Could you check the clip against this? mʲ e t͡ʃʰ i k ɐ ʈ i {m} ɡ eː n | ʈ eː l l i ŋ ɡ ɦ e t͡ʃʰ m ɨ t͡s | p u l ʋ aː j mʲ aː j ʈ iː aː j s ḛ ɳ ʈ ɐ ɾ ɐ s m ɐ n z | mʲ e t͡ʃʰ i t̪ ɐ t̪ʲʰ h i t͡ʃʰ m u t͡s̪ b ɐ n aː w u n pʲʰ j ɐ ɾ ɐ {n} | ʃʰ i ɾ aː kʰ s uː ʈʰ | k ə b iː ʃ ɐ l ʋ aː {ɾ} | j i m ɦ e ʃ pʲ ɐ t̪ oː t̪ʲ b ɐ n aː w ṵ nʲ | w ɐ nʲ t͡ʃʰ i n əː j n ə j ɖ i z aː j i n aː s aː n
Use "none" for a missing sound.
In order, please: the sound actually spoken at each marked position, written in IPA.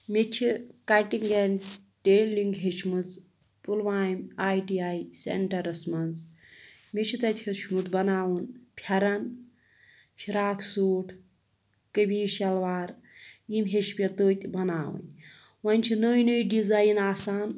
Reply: ŋ, n, ɾ

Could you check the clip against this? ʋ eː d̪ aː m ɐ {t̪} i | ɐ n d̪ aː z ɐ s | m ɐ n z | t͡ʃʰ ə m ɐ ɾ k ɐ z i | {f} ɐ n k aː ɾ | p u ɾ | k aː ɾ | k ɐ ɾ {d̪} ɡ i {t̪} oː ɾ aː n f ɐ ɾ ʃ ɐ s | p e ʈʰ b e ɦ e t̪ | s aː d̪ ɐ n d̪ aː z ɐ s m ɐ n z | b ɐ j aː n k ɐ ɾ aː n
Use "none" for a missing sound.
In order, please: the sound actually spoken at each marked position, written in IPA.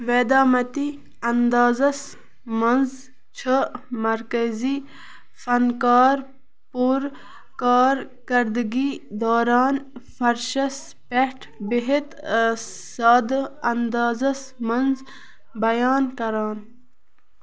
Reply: t̪, f, d̪, d̪

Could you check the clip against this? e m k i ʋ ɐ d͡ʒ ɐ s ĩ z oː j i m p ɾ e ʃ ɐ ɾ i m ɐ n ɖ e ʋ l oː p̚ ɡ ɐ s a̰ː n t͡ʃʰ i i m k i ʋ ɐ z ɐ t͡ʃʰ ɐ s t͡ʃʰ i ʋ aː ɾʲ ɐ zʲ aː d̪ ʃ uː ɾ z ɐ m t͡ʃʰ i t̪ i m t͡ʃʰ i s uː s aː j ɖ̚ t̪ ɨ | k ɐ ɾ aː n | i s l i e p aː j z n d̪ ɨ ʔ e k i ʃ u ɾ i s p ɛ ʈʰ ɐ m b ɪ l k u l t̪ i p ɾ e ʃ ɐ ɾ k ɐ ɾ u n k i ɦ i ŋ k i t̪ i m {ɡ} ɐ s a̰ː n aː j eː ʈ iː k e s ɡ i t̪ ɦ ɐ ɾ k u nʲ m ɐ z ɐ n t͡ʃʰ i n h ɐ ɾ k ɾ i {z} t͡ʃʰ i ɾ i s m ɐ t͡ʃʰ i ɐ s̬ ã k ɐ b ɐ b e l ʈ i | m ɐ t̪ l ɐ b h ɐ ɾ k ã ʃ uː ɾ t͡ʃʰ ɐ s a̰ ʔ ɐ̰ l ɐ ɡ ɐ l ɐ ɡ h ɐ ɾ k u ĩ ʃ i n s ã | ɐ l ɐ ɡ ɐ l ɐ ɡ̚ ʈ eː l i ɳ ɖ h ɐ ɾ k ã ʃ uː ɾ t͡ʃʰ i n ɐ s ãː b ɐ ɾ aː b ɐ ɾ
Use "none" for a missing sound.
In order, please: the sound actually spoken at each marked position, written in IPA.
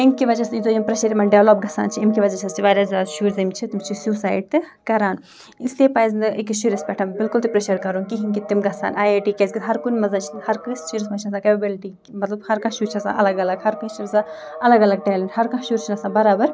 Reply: ɡ, s

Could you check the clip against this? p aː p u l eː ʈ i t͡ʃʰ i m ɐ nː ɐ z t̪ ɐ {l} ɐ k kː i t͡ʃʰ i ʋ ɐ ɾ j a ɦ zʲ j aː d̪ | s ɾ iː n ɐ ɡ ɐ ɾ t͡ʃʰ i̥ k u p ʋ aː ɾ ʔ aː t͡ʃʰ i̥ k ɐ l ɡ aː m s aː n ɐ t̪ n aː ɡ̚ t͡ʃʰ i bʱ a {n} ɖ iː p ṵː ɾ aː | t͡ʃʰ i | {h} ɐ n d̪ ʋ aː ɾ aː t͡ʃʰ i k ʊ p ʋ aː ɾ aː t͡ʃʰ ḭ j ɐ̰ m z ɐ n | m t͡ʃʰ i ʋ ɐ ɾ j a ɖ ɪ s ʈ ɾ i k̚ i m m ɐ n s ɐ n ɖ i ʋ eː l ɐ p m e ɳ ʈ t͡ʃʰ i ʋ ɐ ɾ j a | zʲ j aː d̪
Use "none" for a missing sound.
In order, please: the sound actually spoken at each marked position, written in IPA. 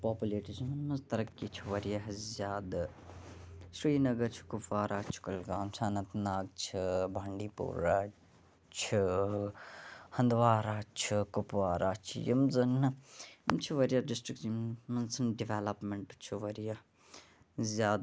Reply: ɾ, ɳ, h

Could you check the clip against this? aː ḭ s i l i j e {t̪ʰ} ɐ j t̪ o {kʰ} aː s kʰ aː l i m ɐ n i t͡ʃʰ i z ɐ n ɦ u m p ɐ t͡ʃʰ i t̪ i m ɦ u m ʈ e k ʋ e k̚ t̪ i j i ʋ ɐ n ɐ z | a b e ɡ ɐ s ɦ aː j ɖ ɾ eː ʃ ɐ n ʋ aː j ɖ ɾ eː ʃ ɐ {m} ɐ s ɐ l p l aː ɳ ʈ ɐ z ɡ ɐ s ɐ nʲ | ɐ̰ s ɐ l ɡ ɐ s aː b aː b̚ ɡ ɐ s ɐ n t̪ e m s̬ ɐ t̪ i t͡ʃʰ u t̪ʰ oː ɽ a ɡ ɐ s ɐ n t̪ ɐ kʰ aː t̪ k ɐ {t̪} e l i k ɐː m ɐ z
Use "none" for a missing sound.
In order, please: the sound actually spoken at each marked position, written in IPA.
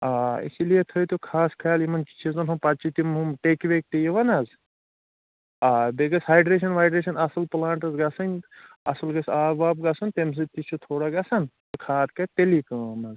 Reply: t̪ʰ, kʰ, n, t̪

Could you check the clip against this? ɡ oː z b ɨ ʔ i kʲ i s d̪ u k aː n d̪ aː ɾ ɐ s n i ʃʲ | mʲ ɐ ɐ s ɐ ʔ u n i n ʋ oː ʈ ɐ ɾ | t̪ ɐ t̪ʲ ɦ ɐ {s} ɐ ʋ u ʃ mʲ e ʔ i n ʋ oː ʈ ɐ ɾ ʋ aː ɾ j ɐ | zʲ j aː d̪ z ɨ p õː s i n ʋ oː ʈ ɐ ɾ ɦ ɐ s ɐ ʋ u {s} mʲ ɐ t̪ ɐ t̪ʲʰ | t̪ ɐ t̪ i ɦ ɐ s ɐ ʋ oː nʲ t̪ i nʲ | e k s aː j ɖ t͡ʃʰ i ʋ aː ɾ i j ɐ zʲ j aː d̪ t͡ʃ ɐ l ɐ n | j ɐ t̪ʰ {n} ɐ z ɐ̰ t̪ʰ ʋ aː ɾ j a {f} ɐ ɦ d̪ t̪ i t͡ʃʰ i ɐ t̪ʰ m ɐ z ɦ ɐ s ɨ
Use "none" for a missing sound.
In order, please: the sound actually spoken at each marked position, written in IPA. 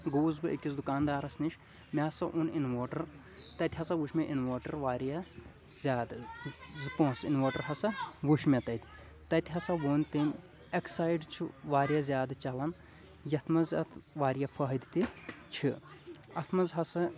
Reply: s, ʃ, m, f

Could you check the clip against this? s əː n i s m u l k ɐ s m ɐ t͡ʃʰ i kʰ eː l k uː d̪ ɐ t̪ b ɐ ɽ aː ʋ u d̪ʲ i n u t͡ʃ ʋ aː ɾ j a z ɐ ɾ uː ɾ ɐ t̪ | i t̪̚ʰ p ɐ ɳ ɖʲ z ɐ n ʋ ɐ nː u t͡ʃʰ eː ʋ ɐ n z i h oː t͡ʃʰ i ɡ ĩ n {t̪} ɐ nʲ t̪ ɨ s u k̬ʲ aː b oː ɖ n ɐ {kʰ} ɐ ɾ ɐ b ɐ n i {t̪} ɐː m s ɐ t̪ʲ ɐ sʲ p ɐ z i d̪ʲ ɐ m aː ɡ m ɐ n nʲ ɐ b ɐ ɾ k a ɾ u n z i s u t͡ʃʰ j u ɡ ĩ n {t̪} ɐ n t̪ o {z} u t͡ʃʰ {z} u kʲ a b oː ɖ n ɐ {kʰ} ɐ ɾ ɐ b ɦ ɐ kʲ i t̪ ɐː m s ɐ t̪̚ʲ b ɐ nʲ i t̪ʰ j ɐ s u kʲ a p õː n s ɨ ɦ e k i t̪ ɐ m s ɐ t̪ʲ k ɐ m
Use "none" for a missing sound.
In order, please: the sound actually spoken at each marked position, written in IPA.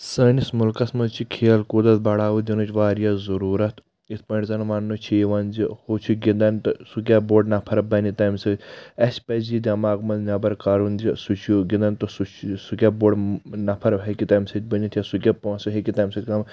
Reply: d̪, pʰ, t̪, d̪, s, s, pʰ

